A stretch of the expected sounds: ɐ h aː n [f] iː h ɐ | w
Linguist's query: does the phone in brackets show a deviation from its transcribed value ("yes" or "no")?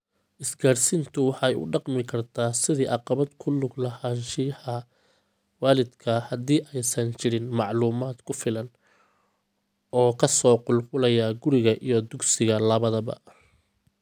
yes